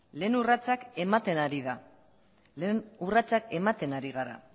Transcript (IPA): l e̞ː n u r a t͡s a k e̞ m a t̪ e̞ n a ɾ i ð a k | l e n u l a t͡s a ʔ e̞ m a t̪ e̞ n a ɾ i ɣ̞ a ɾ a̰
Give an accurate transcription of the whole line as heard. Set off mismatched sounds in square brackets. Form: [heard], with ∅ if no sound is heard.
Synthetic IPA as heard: l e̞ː n u r a t͡s a k e̞ m a t̪ e̞ n a ɾ i ð a [∅] | l e n u [r] a t͡s a [k] e̞ m a t̪ e̞ n a ɾ i ɣ̞ a ɾ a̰